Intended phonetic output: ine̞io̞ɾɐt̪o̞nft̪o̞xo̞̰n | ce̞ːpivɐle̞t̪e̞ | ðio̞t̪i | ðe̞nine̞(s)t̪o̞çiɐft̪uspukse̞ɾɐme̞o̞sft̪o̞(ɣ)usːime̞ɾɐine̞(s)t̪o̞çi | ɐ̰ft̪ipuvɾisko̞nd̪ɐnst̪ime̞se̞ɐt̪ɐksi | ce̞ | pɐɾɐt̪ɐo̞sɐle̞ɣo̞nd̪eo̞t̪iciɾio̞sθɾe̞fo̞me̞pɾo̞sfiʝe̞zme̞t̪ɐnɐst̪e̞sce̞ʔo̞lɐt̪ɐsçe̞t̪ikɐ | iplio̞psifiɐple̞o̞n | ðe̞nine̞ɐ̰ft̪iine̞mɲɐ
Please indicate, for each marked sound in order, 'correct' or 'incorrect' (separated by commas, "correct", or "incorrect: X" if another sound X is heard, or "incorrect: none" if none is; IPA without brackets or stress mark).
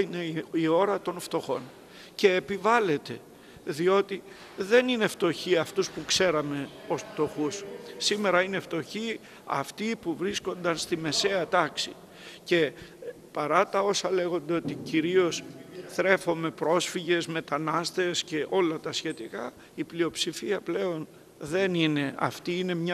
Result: incorrect: f, incorrect: x, incorrect: f